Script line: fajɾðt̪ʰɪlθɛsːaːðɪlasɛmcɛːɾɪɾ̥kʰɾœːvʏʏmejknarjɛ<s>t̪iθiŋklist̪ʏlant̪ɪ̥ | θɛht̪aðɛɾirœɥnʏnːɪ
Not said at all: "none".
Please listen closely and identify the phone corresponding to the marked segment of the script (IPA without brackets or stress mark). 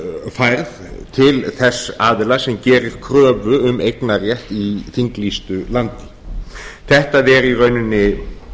h